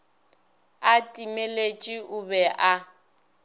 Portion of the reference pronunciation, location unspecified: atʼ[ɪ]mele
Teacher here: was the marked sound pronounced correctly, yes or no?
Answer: no